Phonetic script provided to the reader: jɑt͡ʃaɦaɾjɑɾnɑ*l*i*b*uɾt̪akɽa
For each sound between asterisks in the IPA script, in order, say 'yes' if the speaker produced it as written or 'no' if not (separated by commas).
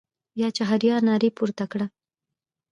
no, no